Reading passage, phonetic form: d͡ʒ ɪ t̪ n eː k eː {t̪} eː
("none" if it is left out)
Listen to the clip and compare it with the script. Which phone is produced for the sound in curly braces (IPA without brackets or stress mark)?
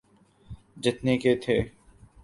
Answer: t̪ʰ